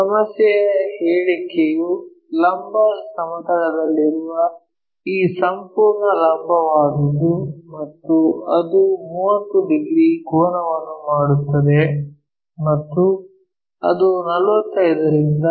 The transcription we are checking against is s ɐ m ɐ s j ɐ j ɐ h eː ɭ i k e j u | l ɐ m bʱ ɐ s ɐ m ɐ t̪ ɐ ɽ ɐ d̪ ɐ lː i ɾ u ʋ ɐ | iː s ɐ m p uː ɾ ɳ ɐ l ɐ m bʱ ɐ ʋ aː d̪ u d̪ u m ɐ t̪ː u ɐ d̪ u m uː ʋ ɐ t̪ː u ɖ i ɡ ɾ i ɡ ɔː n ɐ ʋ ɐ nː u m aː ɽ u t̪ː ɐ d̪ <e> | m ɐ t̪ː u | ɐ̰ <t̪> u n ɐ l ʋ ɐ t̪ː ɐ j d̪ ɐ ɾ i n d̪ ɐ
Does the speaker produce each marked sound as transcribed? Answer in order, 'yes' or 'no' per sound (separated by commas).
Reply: yes, no